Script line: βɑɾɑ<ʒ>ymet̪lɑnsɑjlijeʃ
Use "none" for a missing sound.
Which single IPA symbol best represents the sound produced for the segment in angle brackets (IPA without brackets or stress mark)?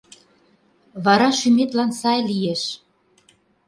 ʃ